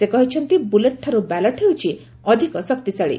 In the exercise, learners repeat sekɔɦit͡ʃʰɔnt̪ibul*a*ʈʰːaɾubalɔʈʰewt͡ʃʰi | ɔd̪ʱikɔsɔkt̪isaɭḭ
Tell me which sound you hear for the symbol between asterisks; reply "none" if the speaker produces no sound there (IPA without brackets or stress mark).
e